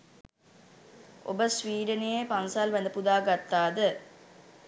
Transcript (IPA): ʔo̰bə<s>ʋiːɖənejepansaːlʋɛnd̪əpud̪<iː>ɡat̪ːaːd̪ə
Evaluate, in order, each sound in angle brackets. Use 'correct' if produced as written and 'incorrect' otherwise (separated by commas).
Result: correct, incorrect